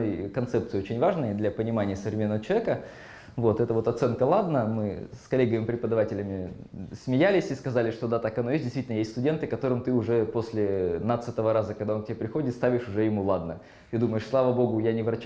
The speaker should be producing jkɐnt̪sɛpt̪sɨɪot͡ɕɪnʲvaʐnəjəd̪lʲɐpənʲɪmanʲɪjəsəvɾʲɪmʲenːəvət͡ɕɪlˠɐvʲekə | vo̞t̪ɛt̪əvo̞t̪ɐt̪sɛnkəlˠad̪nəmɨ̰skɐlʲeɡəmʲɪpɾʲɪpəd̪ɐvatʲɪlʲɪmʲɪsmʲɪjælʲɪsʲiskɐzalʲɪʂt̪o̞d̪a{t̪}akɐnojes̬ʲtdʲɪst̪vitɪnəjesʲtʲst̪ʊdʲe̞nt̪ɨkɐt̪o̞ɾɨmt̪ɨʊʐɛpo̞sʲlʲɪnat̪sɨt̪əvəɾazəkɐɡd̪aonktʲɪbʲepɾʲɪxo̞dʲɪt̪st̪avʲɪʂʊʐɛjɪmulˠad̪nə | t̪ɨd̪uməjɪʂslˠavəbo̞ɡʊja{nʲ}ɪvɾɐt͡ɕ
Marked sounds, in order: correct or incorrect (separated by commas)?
correct, correct